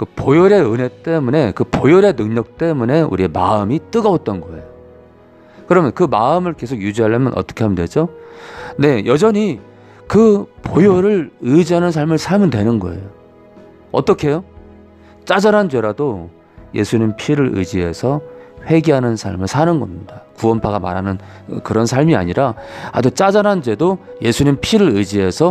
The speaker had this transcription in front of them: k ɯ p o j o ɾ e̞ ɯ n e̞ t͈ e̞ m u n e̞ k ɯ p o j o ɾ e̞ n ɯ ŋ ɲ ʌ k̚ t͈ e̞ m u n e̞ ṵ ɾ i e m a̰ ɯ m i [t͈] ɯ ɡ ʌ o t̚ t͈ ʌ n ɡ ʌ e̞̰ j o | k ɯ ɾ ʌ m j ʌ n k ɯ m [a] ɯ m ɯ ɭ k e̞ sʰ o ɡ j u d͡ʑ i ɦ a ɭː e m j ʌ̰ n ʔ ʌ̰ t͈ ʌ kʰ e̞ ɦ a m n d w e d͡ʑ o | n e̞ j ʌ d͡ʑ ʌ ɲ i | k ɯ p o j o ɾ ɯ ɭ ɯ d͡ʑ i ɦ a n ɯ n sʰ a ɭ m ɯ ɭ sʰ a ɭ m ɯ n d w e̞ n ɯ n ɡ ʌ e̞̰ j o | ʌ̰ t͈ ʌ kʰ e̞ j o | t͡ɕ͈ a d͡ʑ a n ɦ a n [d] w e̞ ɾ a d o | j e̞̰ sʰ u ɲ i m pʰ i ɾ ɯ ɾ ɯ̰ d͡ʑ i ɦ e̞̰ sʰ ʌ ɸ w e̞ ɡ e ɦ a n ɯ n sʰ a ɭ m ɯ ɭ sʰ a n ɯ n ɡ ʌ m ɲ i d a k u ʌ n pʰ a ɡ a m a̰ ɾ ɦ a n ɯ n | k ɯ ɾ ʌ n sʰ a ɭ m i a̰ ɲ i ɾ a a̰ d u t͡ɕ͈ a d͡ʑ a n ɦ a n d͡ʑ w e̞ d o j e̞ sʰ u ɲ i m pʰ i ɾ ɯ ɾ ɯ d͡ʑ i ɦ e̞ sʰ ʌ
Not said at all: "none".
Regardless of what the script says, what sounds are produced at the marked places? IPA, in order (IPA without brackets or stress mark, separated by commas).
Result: t͈, a, d͡ʑ